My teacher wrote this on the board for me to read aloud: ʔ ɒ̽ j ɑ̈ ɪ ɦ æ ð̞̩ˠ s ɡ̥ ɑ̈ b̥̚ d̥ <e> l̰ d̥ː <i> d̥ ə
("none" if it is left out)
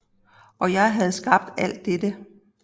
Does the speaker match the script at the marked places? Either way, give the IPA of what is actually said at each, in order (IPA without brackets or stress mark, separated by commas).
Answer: æ, e